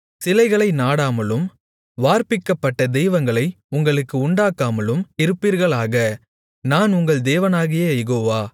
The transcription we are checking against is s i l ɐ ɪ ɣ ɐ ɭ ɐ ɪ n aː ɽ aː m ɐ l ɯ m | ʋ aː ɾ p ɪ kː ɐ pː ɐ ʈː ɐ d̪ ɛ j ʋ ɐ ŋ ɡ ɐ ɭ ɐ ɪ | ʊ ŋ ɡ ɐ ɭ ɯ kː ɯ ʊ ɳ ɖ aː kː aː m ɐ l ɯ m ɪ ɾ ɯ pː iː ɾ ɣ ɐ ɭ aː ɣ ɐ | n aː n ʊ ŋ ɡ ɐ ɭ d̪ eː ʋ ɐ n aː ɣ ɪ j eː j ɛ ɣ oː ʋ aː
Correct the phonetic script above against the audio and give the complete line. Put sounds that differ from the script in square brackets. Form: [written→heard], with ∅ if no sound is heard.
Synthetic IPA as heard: s [i→ɪ] l ɐ ɪ ɣ ɐ ɭ ɐ ɪ n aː ɽ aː m ɐ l ɯ m | ʋ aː ɾ p ɪ kː ɐ pː ɐ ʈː ɐ d̪ ɛ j ʋ ɐ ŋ ɡ ɐ ɭ ɐ ɪ | ʊ ŋ ɡ ɐ ɭ ɯ kː ɯ ʊ ɳ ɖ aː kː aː m ɐ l ɯ m ɪ ɾ ɯ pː iː ɾ ɣ ɐ ɭ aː ɣ ɐ | n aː n ʊ ŋ ɡ ɐ ɭ d̪ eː ʋ ɐ n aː ɣ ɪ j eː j ɛ ɣ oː ʋ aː